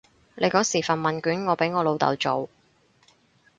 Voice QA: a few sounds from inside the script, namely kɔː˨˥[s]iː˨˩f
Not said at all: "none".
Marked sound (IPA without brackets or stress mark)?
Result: s